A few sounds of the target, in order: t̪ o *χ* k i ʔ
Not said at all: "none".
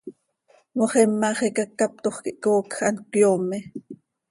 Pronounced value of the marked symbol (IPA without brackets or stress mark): χ